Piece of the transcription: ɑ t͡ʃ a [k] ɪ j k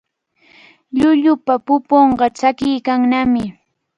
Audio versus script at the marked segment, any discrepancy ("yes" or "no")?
no